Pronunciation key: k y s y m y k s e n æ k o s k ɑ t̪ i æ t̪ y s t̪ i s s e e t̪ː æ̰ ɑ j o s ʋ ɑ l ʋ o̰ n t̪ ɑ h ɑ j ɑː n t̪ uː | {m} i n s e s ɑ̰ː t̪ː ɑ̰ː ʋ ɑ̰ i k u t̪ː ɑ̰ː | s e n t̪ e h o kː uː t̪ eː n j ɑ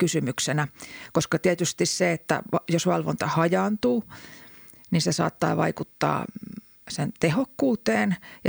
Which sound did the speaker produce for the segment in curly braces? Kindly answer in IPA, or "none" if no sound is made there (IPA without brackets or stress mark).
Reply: n